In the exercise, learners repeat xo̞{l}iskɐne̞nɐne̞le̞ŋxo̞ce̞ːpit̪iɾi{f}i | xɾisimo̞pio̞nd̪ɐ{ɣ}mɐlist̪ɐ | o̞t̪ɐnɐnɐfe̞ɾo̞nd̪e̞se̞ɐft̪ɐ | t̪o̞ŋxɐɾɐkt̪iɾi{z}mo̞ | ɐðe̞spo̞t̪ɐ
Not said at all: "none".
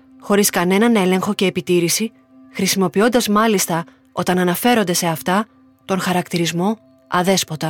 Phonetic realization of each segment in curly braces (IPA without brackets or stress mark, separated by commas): ɾ, s, z, z